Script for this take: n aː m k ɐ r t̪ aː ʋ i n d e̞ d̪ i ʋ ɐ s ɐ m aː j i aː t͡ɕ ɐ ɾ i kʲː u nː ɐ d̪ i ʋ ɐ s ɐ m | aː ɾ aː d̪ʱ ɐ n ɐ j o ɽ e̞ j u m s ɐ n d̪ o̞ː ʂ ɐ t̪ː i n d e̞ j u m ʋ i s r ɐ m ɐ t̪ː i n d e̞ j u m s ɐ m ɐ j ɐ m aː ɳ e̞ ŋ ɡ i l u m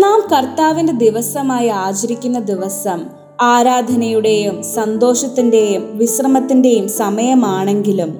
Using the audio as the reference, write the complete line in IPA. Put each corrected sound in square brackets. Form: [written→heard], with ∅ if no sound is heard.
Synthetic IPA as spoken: n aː m k ɐ r t̪ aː ʋ i n d e̞ d̪ i ʋ ɐ s ɐ m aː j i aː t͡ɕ ɐ ɾ i kʲː u nː ɐ d̪ i ʋ ɐ s ɐ m | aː ɾ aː d̪ʱ ɐ n ɐ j [o→u] ɽ e̞ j u m s ɐ n d̪ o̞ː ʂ ɐ t̪ː i n d e̞ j u m ʋ i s r ɐ m ɐ t̪ː i n d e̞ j u m s ɐ m ɐ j ɐ m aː ɳ e̞ ŋ ɡ i l u m